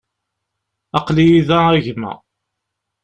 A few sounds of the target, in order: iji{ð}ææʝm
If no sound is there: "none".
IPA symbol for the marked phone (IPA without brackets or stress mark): ð